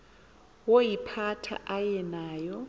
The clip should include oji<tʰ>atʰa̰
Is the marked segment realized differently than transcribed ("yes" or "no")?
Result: yes